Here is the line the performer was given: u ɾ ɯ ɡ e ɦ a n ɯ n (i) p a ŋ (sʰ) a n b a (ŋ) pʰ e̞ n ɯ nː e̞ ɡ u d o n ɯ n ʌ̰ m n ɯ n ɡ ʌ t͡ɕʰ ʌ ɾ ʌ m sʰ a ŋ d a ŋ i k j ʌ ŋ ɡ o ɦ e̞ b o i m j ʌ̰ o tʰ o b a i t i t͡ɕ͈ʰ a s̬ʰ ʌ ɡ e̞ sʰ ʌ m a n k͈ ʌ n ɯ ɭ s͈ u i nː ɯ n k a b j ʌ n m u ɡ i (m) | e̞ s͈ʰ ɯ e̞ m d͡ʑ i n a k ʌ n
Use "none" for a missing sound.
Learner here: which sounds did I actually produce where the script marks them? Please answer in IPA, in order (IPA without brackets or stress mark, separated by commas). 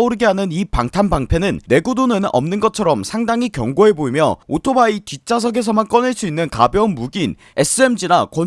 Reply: i, tʰ, ŋ, n